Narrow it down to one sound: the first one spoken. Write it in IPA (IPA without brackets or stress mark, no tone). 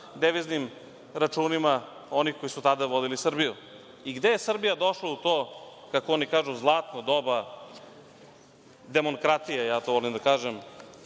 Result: d̪